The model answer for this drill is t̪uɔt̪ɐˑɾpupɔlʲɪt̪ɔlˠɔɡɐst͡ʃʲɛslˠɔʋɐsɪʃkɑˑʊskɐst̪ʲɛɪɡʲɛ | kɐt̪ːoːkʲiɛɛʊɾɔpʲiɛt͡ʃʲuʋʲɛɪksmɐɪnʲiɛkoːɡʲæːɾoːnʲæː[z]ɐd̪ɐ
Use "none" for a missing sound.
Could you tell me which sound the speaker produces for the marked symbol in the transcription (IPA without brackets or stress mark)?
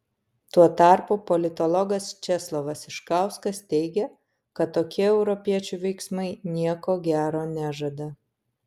ʒ